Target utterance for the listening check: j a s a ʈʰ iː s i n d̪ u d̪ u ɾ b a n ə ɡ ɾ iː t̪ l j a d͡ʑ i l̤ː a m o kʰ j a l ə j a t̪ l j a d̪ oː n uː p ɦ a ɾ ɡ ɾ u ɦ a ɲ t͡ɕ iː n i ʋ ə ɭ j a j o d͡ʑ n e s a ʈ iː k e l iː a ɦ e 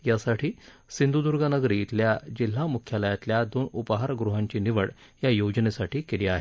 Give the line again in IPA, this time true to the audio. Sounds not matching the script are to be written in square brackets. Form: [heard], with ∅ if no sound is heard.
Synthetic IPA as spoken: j a s a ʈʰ iː s i n d̪ u d̪ u ɾ [ɡ] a n ə ɡ ɾ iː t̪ l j a d͡ʑ i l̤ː a m [u] kʰ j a l ə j a t̪ l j a d̪ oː n [u] p ɦ a ɾ ɡ ɾ u ɦ a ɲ t͡ɕ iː n i ʋ ə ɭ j a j o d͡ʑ n e s a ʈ iː k e l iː a ɦ e

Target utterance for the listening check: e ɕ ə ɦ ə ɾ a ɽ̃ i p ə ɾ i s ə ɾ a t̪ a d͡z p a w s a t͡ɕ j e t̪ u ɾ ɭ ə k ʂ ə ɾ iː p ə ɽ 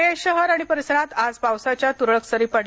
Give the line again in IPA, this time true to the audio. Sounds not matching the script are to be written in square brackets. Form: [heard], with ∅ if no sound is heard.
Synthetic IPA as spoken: e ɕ ə ɦ ə ɾ a ɽ̃ i p ə ɾ i s ə ɾ a t̪ a d͡z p a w s a t͡ɕ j [a] t̪ u ɾ ɭ ə k [s] ə ɾ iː p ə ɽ

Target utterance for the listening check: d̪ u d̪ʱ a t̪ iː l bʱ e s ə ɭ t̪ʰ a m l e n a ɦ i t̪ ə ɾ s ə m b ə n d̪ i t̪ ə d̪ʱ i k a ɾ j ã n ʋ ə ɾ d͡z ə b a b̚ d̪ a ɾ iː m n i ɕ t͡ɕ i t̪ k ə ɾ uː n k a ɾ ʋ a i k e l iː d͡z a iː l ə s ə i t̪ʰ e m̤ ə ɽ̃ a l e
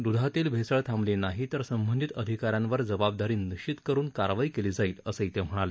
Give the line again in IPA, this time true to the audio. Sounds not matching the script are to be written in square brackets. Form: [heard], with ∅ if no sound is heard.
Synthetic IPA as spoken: d̪ u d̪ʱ a t̪ iː l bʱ e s ə ɭ t̪ʰ a m l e n a ɦ i t̪ ə ɾ s ə m b ə n d̪ i t̪ ə d̪ʱ i k a ɾ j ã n ʋ ə ɾ d͡z ə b a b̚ d̪ a ɾ iː [∅] n i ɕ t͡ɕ i t̪ k ə ɾ uː n k a ɾ ʋ a i k e l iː d͡z a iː l ə s ə i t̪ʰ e m̤ ə ɽ̃ a l e

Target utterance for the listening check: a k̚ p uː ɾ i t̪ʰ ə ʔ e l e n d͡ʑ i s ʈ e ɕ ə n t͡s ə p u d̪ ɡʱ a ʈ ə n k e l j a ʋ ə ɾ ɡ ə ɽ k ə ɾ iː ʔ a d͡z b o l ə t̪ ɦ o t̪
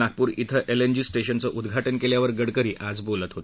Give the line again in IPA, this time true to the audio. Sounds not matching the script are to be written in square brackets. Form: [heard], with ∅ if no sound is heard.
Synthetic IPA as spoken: a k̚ p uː ɾ i t̪ʰ ə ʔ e l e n d͡ʑ i s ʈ e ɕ ə n t͡s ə [ʔ] u d̪ ɡʱ a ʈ ə n k e l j a ʋ ə ɾ ɡ ə ɽ k ə ɾ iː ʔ a d͡z b o l ə t̪ ɦ o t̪

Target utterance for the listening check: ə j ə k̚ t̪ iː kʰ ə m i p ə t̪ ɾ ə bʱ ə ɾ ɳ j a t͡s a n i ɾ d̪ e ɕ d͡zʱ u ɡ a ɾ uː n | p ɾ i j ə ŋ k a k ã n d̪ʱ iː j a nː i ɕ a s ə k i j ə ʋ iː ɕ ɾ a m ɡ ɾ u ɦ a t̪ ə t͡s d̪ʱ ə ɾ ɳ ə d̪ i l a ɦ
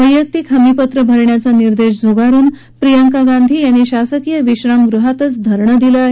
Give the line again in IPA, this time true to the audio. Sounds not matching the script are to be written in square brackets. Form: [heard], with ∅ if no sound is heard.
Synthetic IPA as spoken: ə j ə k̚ t̪ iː kʰ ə m i p ə t̪ ɾ ə bʱ ə ɾ ɳ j a t͡s a n i ɾ d̪ e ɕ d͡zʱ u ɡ a ɾ uː n | p ɾ i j ə ŋ k a [ɡ] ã n d̪ʱ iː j a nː i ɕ a s ə k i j ə ʋ [i] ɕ ɾ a m ɡ ɾ u ɦ a t̪ ə t͡s d̪ʱ ə ɾ ɳ ə d̪ i l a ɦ

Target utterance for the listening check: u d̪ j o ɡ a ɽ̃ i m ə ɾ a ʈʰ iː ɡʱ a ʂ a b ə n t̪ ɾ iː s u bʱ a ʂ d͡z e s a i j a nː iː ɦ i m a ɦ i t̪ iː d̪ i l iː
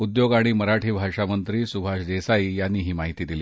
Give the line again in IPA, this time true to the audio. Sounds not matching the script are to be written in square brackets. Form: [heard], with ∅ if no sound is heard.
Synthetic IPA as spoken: u d̪ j o ɡ a ɽ̃ i m ə ɾ a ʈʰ iː [bʱ] a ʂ a [m] ə n t̪ ɾ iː s u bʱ a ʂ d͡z e s a i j a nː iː ɦ [iː] m a ɦ i t̪ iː d̪ i l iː

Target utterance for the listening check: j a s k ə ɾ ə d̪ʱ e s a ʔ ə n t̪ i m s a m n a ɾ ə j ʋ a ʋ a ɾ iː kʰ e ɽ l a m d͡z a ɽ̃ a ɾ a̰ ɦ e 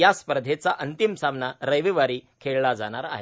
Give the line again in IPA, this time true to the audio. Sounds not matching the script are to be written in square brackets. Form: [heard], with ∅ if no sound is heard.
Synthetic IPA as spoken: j a s [p] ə ɾ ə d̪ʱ e [t͡s] a ʔ ə n t̪ i m s a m n a ɾ ə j ʋ [i] ʋ a ɾ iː kʰ e [ɭ] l a [∅] d͡z a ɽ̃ a ɾ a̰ ɦ e

